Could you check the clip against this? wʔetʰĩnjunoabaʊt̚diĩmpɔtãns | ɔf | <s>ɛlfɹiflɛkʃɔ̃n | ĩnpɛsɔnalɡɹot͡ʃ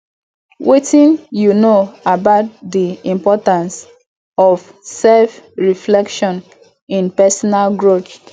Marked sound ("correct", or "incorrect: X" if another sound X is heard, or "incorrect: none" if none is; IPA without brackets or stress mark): correct